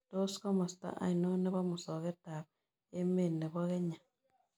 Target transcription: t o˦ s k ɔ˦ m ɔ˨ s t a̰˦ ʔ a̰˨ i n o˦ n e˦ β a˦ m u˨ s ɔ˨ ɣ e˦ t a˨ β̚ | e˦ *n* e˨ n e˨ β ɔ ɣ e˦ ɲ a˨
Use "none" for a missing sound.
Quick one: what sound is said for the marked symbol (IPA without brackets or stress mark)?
m